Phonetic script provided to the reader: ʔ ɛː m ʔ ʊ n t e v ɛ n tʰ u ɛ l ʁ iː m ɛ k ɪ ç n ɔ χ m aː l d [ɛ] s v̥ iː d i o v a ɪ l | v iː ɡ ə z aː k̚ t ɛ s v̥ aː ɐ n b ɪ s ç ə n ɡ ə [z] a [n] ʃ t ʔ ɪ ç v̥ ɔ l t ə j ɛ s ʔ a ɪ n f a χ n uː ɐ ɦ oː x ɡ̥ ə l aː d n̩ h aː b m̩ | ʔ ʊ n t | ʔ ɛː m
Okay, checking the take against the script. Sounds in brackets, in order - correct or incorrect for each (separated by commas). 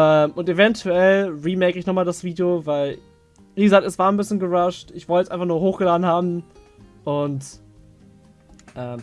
incorrect, incorrect, incorrect